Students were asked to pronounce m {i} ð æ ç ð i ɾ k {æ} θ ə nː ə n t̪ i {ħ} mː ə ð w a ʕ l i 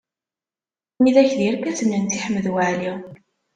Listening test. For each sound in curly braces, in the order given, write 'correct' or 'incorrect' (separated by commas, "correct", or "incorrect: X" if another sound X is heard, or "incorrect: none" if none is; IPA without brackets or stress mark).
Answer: correct, correct, correct